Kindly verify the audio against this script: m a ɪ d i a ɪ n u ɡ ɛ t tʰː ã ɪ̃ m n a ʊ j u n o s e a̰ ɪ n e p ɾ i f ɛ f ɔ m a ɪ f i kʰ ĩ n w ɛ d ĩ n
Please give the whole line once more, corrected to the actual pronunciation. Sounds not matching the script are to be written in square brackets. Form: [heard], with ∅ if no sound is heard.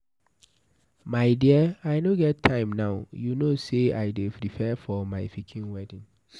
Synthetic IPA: m a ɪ d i a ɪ n [o] ɡ ɛ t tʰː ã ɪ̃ m n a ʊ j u n o s e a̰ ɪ [d] e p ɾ i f ɛ f ɔ m a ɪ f i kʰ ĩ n w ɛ d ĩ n